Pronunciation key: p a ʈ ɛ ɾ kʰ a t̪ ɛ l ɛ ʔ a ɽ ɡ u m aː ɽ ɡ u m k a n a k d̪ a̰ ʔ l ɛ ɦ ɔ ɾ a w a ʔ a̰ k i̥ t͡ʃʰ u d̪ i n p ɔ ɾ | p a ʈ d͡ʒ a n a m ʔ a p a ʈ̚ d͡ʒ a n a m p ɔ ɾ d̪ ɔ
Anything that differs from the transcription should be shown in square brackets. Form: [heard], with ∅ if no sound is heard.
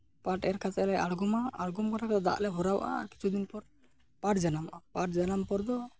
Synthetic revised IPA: p a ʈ ɛ ɾ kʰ a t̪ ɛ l ɛ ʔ a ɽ ɡ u m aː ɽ ɡ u m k a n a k d̪ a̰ ʔ l ɛ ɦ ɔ ɾ a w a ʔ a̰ k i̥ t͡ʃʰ u d̪ i n p ɔ ɾ | p a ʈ d͡ʒ a n a m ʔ a p a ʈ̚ d͡ʒ a n a m p ɔ ɾ d̪ ɔ